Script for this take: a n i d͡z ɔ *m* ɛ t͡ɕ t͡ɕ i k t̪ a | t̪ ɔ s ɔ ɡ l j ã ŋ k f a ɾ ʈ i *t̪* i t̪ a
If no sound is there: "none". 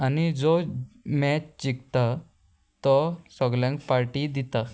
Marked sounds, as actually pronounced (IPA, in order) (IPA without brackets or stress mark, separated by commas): m, d̪